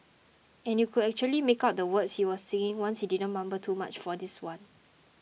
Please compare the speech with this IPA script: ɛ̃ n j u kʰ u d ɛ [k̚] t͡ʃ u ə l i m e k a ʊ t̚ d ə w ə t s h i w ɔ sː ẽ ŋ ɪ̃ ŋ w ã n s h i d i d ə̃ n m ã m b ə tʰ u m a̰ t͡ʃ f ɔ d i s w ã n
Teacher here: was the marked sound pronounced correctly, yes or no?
yes